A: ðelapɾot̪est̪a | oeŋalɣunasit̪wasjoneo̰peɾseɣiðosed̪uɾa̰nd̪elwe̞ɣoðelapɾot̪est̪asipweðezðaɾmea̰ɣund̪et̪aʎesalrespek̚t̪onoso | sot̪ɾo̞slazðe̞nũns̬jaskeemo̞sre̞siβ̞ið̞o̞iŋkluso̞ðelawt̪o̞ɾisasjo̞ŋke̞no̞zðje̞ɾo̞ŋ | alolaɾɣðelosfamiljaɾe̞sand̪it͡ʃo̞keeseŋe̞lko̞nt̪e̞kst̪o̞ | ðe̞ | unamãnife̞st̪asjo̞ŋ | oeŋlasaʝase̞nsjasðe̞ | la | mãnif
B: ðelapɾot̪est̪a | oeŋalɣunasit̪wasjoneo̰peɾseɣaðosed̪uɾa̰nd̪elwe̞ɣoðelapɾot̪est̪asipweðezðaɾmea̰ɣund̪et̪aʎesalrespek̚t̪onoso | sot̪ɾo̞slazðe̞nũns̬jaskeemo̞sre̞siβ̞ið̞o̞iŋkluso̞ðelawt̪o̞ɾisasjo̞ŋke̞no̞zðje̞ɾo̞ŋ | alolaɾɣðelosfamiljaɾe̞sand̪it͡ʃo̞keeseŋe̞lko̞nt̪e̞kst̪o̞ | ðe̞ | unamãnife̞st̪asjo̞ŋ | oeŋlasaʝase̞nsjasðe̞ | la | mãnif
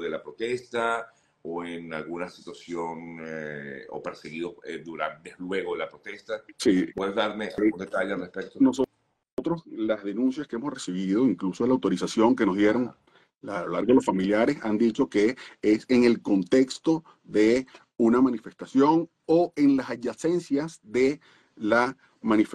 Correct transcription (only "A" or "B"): A